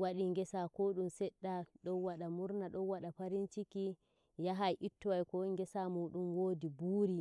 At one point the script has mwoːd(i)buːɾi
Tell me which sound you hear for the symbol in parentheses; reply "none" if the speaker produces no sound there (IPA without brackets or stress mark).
i